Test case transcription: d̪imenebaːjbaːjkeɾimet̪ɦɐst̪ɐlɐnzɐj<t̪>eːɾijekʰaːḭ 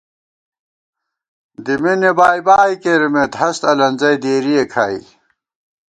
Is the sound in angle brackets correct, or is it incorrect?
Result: incorrect